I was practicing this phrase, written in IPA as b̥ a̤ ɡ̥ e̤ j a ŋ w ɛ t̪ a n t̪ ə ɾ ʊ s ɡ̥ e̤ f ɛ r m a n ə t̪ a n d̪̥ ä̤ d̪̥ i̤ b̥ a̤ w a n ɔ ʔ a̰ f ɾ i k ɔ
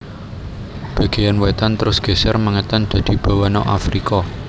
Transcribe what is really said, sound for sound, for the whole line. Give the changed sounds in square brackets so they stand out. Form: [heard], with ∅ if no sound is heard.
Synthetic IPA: b̥ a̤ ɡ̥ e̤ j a [n] w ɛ t̪ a n t̪ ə ɾ ʊ s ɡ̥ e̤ [s] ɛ r m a [ŋ] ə t̪ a n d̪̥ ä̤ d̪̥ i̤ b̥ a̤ w a n ɔ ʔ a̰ f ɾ i k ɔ

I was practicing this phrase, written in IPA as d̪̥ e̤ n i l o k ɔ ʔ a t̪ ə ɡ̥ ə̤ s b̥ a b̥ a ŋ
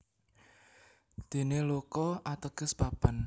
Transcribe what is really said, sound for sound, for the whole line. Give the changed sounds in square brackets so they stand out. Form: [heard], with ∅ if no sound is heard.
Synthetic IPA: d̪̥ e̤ n [e] l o k ɔ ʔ a t̪ ə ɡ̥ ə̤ s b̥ a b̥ a [n]

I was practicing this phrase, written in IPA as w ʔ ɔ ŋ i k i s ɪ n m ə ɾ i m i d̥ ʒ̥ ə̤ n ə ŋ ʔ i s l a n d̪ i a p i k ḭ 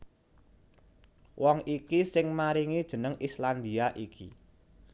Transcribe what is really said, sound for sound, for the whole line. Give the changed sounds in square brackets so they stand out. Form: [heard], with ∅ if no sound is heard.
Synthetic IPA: w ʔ ɔ ŋ i k i s ɪ [ŋ] m [a] ɾ i [ŋ] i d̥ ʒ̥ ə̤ n ə ŋ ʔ i s l a n d̪ i a [ʔ] i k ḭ

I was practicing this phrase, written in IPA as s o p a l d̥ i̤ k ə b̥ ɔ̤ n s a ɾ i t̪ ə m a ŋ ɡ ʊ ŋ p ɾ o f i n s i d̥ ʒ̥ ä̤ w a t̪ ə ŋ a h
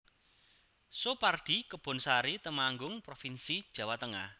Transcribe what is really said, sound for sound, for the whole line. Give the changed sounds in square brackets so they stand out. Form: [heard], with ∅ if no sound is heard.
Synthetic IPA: s o p a [r] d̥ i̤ k ə b̥ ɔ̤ n s a ɾ i t̪ ə m a ŋ ɡ ʊ ŋ p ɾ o f i n s i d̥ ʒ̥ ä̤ w a t̪ ə ŋ a h

